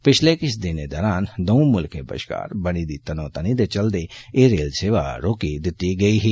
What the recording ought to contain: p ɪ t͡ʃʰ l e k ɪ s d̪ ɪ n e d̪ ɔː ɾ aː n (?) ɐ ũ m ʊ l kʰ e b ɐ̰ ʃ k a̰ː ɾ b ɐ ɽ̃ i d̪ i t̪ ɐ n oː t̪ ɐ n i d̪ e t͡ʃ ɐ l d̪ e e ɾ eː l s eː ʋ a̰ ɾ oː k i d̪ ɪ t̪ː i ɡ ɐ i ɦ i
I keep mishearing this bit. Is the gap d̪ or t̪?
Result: d̪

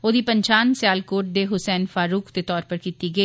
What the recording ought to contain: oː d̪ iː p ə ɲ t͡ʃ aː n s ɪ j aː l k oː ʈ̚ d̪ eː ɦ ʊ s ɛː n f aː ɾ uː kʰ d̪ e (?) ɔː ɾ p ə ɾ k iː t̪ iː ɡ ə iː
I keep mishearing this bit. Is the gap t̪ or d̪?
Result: t̪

